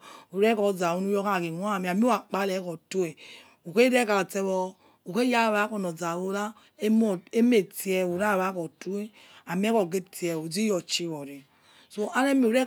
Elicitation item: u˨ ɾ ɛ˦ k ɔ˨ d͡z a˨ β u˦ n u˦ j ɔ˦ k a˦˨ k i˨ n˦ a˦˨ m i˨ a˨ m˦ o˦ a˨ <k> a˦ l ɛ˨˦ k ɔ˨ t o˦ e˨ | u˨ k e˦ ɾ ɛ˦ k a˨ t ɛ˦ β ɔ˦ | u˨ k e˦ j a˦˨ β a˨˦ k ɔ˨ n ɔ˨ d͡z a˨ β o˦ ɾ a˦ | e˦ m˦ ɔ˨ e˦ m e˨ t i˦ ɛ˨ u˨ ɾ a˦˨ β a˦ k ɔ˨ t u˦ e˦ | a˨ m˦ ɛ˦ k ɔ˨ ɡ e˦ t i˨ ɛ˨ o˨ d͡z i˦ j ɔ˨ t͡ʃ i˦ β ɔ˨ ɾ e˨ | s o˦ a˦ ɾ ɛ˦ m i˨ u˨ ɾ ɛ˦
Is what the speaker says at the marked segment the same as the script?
no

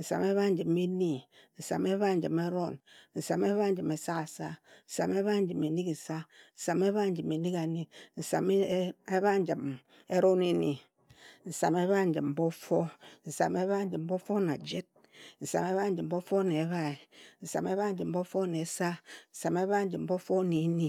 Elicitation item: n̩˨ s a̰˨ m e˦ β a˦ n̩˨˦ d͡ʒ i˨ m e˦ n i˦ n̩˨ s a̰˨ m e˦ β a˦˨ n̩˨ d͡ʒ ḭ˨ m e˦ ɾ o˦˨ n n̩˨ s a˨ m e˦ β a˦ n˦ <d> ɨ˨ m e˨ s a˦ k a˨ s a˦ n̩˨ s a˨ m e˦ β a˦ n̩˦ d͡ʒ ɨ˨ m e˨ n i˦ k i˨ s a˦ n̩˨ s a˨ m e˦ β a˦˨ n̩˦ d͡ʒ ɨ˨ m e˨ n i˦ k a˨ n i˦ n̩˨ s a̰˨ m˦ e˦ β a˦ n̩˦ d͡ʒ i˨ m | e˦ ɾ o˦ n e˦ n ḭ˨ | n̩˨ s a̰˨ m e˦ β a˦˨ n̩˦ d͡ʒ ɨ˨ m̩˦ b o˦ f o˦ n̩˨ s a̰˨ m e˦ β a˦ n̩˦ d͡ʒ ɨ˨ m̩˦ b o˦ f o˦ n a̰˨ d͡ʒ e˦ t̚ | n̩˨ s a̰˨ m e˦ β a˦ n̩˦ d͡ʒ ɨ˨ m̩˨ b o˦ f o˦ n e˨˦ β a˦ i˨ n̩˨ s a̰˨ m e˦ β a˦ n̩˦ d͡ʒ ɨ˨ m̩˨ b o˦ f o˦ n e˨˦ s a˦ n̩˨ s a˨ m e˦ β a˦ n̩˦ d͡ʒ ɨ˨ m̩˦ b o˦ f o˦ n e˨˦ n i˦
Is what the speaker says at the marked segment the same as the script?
no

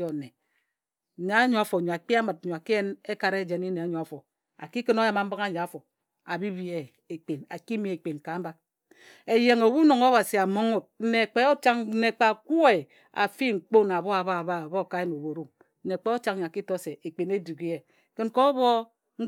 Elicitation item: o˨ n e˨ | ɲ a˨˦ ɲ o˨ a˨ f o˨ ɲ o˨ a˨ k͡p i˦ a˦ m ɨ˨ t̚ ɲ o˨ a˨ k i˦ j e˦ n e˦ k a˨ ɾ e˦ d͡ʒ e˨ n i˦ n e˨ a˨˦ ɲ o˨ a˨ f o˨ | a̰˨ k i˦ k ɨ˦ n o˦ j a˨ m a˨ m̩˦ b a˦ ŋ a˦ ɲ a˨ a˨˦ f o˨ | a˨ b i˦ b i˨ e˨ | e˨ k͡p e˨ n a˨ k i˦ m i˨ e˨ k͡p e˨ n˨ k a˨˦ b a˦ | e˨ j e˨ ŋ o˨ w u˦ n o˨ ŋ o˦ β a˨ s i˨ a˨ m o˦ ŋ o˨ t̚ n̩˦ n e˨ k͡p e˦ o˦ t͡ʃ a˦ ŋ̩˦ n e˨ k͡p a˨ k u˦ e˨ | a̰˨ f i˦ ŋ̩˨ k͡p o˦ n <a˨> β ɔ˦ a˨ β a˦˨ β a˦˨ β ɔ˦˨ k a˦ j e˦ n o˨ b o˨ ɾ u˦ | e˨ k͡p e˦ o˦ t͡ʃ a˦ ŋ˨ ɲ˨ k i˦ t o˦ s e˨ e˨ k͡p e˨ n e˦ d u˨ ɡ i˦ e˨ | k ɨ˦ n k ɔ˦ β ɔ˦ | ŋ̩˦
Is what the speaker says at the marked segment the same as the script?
yes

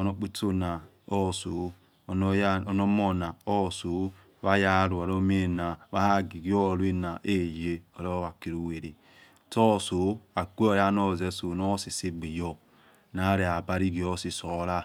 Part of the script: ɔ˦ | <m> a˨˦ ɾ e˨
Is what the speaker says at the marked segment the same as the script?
no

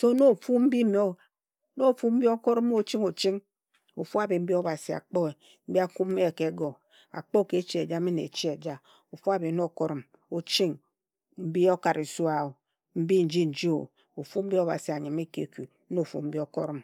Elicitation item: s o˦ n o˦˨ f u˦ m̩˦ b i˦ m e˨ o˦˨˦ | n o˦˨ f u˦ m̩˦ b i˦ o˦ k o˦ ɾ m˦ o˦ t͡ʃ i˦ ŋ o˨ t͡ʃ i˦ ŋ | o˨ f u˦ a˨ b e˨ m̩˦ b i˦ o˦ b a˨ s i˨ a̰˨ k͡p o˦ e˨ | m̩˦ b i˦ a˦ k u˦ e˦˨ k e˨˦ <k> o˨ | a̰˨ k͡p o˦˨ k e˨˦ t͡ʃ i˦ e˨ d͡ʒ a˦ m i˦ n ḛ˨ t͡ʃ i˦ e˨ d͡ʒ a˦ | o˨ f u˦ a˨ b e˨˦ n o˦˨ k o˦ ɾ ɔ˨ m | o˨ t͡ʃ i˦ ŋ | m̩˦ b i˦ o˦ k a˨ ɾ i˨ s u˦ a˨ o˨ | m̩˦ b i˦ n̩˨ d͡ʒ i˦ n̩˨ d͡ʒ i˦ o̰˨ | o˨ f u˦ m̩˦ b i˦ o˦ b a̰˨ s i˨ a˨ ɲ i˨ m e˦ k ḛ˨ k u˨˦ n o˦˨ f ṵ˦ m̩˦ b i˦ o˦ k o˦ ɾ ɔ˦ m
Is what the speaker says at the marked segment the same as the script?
no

